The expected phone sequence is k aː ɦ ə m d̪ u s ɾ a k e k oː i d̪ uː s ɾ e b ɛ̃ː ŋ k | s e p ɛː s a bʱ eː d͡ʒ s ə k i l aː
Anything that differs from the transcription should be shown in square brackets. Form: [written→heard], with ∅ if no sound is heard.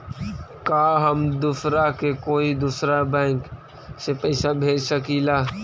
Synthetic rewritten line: k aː ɦ ə m d̪ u s ɾ a k e k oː i d̪ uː s ɾ [e→a] b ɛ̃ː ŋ k | s e p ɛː s a bʱ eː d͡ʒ s ə k i l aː